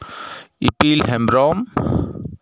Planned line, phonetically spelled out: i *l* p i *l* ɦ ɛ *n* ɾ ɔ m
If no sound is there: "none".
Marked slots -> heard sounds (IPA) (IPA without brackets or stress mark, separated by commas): none, l, m